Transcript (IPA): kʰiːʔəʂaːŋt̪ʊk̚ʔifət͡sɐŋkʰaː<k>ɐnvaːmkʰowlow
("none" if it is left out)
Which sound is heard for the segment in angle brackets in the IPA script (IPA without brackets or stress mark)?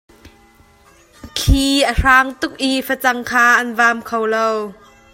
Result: ʔ